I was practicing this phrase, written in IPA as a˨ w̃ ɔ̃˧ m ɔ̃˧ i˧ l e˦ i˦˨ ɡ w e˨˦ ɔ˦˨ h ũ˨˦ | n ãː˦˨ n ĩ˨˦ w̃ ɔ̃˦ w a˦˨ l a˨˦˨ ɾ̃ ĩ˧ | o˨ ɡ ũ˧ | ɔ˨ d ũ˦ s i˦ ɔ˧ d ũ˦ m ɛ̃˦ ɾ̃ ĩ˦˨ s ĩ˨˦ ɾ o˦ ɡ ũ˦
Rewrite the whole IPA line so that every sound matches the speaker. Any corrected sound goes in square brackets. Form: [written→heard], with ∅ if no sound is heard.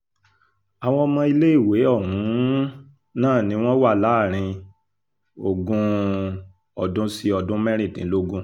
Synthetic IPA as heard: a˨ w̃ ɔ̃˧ m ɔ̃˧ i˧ l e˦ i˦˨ [ɡ→∅] w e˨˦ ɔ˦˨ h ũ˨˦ | n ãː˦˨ n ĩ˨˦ w̃ ɔ̃˦ w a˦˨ l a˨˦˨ ɾ̃ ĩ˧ | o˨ ɡ ũ˧ | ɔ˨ d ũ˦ s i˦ ɔ˧ d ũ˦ m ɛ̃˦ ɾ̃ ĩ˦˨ [s→t] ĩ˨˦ [ɾ→l] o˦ ɡ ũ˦